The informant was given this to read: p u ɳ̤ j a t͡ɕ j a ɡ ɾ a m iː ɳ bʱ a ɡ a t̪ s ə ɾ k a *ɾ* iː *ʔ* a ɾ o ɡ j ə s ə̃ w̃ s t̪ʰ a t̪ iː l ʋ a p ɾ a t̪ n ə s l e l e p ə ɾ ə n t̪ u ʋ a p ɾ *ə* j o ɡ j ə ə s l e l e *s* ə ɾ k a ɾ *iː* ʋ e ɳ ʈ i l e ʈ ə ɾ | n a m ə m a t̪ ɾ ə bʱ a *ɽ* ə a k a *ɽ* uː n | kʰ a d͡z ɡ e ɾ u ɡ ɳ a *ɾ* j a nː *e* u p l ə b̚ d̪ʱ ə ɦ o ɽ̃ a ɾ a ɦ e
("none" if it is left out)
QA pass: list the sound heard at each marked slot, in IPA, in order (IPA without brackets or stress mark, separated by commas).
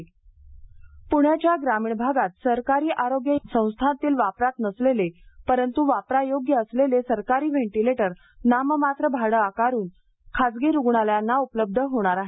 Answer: ɾ, ʔ, a, s, iː, ɽ, ɾ, l, a